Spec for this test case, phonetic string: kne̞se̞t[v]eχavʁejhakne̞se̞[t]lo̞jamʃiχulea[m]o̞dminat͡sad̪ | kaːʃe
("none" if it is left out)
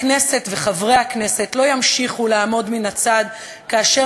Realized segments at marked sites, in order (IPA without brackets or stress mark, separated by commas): v, t, m